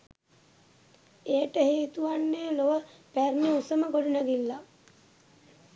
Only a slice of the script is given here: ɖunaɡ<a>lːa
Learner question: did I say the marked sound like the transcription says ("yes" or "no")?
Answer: no